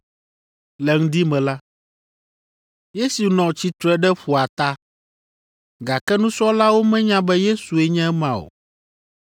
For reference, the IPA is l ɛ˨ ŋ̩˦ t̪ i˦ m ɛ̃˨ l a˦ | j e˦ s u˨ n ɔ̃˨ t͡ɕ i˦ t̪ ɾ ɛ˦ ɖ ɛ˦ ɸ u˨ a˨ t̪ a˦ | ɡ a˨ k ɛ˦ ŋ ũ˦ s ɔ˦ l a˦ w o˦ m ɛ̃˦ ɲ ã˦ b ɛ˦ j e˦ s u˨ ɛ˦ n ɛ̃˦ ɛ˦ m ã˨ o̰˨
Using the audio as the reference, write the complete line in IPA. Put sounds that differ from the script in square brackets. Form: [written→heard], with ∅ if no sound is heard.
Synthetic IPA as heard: l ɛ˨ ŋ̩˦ [t̪→d̪] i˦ m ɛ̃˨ l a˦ | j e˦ s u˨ n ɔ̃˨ t͡ɕ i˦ t̪ ɾ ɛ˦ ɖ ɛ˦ ɸ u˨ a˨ t̪ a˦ | ɡ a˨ k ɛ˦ [ŋ→n] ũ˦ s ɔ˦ l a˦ w o˦ m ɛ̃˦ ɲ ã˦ b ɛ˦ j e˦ s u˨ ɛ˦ [n→ɲ] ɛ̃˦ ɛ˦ m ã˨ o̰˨